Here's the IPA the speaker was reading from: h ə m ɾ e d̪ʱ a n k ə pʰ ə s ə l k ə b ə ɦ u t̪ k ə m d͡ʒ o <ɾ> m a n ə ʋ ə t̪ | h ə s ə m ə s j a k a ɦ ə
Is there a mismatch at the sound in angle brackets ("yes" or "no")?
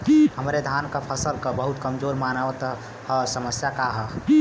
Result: no